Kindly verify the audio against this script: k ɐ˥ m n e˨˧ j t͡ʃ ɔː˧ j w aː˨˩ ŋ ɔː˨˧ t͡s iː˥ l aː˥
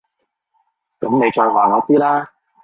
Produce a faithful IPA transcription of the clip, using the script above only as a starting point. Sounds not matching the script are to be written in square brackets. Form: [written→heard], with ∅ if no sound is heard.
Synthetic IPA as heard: k [ɐ˥→ɐ˨˥] m n e˨˧ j t͡ʃ ɔː˧ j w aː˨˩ ŋ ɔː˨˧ t͡s iː˥ l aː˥

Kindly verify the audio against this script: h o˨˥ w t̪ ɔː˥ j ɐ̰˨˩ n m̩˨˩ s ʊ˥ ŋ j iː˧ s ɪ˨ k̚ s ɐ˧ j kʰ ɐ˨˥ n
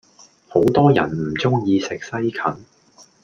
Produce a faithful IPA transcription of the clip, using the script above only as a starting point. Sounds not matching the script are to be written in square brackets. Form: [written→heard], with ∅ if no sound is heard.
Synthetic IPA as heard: h o˨˥ w t̪ ɔː˥ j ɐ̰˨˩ n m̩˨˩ [s→t͡s] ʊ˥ ŋ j iː˧ s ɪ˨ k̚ s [ɐ˧→ɐ˥] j kʰ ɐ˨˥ n

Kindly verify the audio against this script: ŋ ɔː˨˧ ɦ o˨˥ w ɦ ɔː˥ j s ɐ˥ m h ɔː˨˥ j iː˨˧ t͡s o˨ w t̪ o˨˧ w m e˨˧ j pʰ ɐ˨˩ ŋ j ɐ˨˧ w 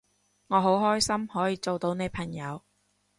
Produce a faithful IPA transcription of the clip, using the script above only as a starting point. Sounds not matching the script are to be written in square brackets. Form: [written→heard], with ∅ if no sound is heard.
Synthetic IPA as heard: ŋ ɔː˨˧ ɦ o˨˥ w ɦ ɔː˥ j s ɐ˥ m h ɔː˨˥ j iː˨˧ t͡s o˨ w t̪ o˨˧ w [m→n] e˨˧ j pʰ ɐ˨˩ ŋ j ɐ˨˧ w

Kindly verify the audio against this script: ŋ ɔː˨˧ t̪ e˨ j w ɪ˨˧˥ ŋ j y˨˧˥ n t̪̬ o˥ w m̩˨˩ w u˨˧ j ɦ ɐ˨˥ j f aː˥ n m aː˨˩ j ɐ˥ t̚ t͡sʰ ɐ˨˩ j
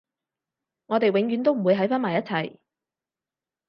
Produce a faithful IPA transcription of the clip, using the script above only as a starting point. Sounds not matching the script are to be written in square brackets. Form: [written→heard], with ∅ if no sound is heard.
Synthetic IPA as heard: ŋ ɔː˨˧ t̪ e˨ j w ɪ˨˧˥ ŋ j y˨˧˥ n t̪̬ o˥ w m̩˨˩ w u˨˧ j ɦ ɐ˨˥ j f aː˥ n m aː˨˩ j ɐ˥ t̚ t͡sʰ ɐ˨˩ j

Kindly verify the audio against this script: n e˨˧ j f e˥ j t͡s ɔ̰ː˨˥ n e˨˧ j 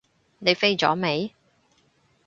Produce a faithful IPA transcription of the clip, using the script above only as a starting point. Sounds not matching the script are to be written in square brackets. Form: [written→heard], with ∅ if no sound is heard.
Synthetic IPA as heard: n e˨˧ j f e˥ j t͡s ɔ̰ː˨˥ [n→m] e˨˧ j

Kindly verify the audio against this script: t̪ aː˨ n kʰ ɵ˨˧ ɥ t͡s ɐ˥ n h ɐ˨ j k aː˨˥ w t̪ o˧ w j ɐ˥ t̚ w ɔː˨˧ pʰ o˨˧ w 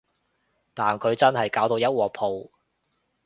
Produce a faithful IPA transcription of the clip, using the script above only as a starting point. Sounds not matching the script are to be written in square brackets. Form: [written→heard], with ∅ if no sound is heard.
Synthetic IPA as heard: t̪ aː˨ n kʰ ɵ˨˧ ɥ t͡s ɐ˥ n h ɐ˨ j k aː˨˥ w t̪ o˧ w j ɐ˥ t̚ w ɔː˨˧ pʰ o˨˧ w

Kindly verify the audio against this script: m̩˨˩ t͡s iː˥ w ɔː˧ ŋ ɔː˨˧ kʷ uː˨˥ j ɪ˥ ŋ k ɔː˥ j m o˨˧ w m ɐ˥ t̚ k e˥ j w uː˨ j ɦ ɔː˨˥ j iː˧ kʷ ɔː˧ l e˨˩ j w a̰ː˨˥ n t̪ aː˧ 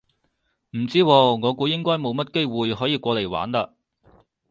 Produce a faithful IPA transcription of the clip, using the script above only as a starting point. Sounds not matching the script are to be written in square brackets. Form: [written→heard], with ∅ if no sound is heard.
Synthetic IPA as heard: m̩˨˩ t͡s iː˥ w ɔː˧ ŋ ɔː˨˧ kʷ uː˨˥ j ɪ˥ ŋ k ɔː˥ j m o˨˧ w m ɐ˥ t̚ k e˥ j w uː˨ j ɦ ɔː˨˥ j iː˧ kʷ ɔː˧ l e˨˩ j w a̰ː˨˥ n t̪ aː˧

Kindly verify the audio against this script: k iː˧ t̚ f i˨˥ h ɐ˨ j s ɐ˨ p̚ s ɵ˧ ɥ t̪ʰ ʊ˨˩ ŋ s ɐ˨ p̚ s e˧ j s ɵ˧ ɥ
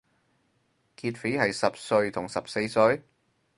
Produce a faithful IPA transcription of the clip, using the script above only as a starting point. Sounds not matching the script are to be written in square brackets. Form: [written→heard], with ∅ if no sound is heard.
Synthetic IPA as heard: k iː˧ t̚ f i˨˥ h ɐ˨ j s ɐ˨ p̚ s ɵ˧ ɥ t̪ʰ ʊ˨˩ ŋ s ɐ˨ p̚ s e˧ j s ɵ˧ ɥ

